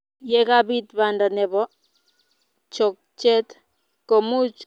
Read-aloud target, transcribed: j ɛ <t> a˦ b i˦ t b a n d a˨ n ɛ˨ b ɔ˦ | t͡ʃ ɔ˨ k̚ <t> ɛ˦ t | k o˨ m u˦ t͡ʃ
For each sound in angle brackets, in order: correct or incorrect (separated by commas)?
incorrect, incorrect